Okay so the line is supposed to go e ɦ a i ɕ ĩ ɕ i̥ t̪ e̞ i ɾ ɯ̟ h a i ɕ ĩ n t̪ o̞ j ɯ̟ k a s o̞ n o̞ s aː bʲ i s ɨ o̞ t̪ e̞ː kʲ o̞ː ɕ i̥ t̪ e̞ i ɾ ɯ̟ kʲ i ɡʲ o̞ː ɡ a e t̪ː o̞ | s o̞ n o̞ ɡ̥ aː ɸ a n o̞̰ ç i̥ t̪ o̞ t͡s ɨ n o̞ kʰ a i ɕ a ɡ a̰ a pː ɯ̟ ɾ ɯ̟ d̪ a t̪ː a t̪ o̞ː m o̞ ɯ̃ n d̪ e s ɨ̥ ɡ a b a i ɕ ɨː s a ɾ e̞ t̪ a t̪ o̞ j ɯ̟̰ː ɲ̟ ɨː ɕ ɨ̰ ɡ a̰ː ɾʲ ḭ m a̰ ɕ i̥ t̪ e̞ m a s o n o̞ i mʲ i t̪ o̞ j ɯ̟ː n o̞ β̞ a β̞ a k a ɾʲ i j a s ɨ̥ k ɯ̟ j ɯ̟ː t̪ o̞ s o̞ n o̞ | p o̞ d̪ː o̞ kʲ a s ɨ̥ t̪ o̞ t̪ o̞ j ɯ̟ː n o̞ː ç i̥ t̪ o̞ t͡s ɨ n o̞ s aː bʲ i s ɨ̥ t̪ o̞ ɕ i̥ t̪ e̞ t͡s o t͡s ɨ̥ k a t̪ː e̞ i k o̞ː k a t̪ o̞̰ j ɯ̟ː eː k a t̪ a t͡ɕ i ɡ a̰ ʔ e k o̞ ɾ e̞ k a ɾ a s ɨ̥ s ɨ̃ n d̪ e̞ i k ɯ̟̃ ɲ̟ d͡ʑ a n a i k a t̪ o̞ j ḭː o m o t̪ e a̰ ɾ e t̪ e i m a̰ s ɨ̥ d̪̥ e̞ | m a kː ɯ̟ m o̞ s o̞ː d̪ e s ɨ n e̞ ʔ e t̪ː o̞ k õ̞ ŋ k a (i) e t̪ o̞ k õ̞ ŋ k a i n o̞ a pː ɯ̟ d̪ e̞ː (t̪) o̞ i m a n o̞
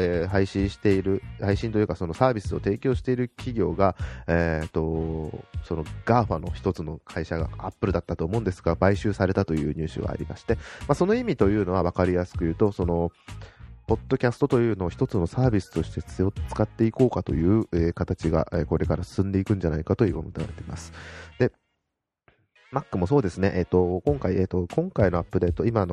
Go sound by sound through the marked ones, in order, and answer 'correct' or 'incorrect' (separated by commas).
correct, correct